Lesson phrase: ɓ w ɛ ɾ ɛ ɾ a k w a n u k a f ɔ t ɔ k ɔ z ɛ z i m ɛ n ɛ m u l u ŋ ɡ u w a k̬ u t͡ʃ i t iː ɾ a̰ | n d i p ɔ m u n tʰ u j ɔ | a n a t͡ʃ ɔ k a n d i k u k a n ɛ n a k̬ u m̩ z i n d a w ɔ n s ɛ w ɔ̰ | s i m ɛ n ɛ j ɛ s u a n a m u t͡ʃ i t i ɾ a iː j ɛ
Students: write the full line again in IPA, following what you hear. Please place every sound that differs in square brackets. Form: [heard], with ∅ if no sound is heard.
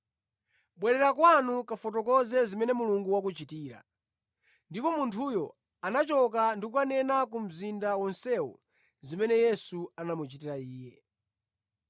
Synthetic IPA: ɓ w ɛ ɾ ɛ ɾ a k w a n u k a f ɔ t ɔ k ɔ z ɛ z i m ɛ n ɛ m u l u ŋ ɡ u w a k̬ u t͡ʃ i t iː ɾ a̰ | n d i p ɔ m u n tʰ u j ɔ | a n a t͡ʃ ɔ k a n d i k u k a n ɛ n a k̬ u m̩ z i n d a w ɔ n s ɛ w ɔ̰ | [z] i m ɛ n ɛ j ɛ s u a n a m u t͡ʃ i t i ɾ a iː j ɛ

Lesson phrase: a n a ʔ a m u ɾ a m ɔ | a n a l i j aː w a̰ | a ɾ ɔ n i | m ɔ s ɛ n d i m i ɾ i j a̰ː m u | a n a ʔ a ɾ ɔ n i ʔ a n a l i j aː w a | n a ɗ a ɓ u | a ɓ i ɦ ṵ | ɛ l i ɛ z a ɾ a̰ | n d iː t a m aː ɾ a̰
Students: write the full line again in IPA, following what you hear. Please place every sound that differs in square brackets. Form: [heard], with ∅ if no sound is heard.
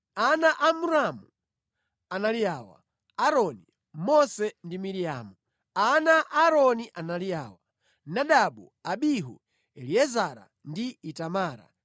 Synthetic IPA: a n a ʔ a m u ɾ a m [u] | a n a l i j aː w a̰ | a ɾ ɔ n i | m ɔ s ɛ n d i m i ɾ i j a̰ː m u | a n a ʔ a ɾ ɔ n i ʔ a n a l i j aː w a | n a ɗ a ɓ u | a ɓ i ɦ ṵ | ɛ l i ɛ z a ɾ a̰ | n d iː t a m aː ɾ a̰

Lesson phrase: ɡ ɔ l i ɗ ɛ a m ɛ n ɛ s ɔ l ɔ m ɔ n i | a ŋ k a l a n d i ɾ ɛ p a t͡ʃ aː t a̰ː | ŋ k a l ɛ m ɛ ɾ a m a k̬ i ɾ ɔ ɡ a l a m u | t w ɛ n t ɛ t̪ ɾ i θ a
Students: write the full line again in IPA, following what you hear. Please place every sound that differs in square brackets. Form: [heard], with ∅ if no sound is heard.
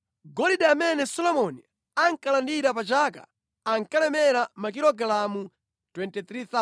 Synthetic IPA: ɡ ɔ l i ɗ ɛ a m ɛ n ɛ s ɔ l ɔ m ɔ n i | a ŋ k a l a n d i ɾ [a] p a t͡ʃ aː [k] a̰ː | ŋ k a l ɛ m ɛ ɾ a m a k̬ i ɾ ɔ ɡ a l a m u | t w ɛ n t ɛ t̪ ɾ i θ a

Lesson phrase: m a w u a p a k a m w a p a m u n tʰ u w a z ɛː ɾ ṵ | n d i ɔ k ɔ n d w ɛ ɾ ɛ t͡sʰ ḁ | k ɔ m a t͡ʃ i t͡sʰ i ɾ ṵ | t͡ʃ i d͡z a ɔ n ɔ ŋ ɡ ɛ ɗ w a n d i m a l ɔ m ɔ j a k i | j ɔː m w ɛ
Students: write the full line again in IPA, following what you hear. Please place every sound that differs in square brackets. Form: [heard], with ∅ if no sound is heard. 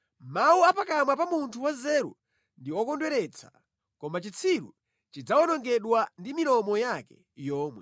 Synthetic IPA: m a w u a p a k a m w a p a m u n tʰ u w a z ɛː ɾ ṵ | n d i ɔ k ɔ n d w ɛ ɾ ɛ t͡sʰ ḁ | k ɔ m a t͡ʃ i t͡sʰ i ɾ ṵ | t͡ʃ i d͡z a ɔ n ɔ ŋ ɡ ɛ ɗ w a n d i m [i] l ɔ m ɔ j a k [ɛ] | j ɔː m w ɛ

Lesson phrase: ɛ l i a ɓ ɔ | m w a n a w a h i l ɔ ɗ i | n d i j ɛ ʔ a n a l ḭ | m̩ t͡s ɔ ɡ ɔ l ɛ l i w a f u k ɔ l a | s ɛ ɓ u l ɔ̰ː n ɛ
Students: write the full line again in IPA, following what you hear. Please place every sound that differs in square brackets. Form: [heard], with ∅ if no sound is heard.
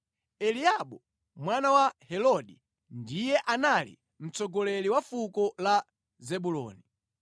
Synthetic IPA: ɛ l i a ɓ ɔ | m w a n a w a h [ɛ] l ɔ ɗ i | n d i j ɛ ʔ a n a l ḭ | m̩ t͡s ɔ ɡ ɔ l ɛ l i w a f u k ɔ l a | [z] ɛ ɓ u l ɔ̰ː n [i]

